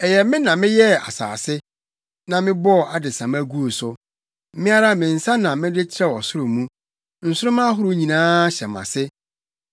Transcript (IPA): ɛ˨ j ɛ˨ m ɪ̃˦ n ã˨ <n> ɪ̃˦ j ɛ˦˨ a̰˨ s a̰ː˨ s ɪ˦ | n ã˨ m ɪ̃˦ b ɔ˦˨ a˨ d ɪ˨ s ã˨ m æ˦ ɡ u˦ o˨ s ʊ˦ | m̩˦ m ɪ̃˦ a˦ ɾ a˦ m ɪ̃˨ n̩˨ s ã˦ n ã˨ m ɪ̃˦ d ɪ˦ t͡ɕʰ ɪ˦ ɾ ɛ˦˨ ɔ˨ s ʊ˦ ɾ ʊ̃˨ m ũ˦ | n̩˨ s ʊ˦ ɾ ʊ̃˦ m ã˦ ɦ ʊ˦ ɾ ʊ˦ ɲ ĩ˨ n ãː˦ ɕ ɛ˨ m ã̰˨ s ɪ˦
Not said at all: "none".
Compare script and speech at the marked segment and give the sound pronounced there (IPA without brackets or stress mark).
m